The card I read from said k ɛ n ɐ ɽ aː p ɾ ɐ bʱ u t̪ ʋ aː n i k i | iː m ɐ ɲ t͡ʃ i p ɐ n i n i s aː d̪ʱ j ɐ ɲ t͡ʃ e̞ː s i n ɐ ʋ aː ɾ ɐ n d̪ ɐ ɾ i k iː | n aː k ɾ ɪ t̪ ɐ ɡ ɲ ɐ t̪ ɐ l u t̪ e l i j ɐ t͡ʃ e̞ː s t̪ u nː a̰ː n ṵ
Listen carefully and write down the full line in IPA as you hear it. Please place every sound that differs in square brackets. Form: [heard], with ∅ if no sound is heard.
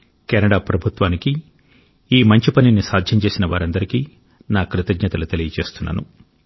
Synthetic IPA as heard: k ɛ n ɐ ɽ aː p ɾ ɐ bʱ u t̪ ʋ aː n i k i | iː m ɐ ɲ t͡ʃ i p ɐ n i n i s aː d̪ʱ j ɐ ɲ t͡ʃ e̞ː s i n ɐ ʋ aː ɾ ɐ n d̪ ɐ ɾ i k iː | n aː k ɾ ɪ t̪ ɐ ɡ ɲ ɐ t̪ ɐ l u t̪ e l i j ɐ t͡ʃ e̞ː s t̪ u nː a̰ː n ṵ